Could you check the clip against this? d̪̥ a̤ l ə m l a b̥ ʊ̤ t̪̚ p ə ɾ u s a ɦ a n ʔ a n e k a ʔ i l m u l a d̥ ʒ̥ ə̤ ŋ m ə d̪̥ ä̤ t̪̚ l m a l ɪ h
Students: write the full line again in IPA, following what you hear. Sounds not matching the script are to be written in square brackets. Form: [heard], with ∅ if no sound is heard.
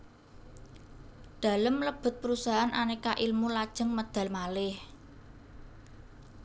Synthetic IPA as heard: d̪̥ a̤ l ə m l [ə] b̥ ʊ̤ t̪̚ p ə ɾ u s a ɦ a n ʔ a n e k a ʔ i l m u l a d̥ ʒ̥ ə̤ ŋ m ə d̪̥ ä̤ [∅] l m a l ɪ h